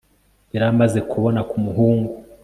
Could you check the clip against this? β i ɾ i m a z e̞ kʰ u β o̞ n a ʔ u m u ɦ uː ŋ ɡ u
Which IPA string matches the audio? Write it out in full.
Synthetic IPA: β i ɾ a m a z e̞ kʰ u β o̞ n a k u m u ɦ uː ŋ ɡ u

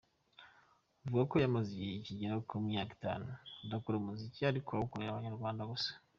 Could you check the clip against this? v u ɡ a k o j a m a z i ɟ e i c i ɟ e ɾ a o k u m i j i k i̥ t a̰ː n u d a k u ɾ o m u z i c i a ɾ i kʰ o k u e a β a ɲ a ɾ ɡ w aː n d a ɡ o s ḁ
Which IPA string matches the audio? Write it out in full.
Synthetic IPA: v u ɡ a k o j a m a z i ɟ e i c i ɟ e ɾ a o k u m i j a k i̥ t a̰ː n u d a k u ɾ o m u z i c i a ɾ i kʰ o k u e a β a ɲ a ɾ ɡ w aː n d a ɡ o s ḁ

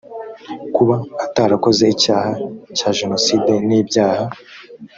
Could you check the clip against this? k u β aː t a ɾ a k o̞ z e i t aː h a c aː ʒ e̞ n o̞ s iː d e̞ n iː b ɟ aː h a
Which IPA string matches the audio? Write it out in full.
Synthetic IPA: k u β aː t a ɾ a k o̞ z e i c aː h a c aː ʒ e̞ n o̞ s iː d e̞ n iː b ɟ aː h a

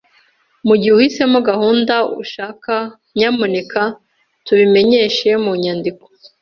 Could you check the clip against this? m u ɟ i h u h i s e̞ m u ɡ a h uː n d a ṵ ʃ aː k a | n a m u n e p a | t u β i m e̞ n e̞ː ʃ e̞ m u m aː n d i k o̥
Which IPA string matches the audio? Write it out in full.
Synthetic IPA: m u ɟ i h u h i s e̞ m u ɡ a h uː n d a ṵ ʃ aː k a | ɲ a m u n e k a | t u β i m e̞ ɲ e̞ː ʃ e̞ m u ɲ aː n d i k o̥

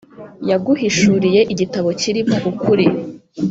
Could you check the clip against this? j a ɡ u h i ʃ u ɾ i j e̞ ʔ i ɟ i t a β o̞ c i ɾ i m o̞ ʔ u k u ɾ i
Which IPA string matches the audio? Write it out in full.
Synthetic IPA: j a ɡ u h i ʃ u ɾ i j e̞ ʔ i ɟ i t a β o̞ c i ɾ i m o̞ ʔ u k u ɾ i

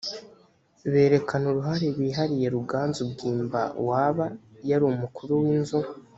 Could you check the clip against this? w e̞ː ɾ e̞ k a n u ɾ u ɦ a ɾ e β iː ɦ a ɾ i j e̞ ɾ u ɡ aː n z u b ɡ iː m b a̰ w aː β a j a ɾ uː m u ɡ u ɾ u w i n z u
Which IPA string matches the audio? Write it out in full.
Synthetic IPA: β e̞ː ɾ e̞ k a n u ɾ u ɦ a ɾ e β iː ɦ a ɾ i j e̞ ɾ u ɡ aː n z u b ɡ iː m b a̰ w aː β a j a ɾ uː m u k u ɾ u w i n z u

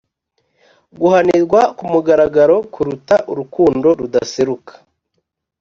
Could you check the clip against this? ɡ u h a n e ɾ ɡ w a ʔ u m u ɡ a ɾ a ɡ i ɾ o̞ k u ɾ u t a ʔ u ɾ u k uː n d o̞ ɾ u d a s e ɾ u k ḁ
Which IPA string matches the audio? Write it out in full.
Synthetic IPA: ɡ u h a n i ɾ ɡ w a k u m u ɡ a ɾ a ɡ a ɾ o̞ k u ɾ u t a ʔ u ɾ u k uː n d o̞ ɾ u d a s e ɾ u k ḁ

